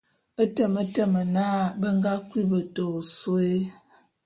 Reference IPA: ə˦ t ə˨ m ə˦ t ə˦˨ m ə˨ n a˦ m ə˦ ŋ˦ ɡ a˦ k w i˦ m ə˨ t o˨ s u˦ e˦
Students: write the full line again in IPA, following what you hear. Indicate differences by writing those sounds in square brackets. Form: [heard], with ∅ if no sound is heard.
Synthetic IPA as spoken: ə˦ t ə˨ m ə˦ t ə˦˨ m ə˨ n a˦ [b] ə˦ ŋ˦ ɡ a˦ k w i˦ [b] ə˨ t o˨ s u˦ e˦